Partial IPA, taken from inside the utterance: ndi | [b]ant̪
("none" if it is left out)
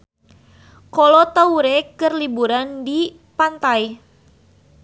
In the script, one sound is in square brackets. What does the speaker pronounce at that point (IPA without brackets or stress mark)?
p